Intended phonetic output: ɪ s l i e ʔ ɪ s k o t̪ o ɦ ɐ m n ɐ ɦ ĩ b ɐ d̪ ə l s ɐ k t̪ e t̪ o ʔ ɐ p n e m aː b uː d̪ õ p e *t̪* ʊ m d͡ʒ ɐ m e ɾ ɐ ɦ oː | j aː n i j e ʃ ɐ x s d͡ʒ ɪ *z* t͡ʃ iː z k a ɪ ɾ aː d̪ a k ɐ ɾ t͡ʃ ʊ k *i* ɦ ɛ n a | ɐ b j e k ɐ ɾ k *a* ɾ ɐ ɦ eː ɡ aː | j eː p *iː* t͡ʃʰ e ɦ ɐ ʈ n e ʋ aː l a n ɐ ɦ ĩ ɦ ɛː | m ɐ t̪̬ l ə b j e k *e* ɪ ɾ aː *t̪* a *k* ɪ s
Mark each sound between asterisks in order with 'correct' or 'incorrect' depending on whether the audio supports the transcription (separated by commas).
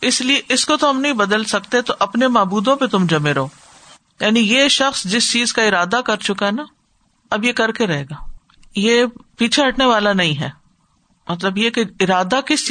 correct, incorrect, incorrect, incorrect, correct, correct, incorrect, correct